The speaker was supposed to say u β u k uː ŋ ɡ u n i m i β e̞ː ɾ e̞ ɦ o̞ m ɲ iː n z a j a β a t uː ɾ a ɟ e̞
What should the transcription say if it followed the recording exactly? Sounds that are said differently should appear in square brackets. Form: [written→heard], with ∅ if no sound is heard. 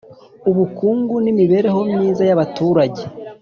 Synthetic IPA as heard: u β u k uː ŋ ɡ u n i m i β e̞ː ɾ e̞ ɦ o̞ m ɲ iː [n→∅] z a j a β a t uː ɾ a ɟ e̞